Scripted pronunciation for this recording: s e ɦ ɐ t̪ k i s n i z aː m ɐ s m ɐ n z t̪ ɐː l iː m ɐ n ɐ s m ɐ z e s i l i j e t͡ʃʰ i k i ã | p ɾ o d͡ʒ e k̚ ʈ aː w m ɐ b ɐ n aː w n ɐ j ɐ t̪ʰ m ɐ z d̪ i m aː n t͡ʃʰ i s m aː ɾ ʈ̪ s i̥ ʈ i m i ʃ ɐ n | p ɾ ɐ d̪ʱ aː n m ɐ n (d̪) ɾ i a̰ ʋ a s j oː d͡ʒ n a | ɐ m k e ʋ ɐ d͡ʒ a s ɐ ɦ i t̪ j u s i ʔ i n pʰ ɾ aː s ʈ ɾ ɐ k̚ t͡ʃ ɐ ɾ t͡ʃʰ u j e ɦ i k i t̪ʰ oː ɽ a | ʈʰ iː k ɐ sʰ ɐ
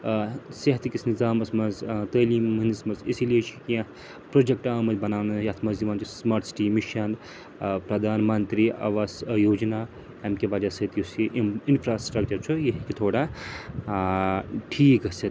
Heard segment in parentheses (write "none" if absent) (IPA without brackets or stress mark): t̪